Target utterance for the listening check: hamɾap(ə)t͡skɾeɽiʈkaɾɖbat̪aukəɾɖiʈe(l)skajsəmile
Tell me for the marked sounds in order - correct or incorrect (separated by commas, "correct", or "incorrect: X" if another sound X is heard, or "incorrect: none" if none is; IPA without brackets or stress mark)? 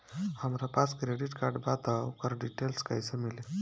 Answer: incorrect: a, correct